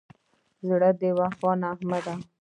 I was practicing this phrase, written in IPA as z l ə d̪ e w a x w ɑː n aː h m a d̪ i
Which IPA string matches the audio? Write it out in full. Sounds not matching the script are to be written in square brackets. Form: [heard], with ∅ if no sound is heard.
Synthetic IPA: z [ɽ] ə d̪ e w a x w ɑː n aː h m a d̪ [a]